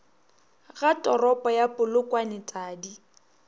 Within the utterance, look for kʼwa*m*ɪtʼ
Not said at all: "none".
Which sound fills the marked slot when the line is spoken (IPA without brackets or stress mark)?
n